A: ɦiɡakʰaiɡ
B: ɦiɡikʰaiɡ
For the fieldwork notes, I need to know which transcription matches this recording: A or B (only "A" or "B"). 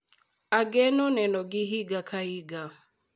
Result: A